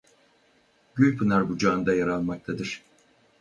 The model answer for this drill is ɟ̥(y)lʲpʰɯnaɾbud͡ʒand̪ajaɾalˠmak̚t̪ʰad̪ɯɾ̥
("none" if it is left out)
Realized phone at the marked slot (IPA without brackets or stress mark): y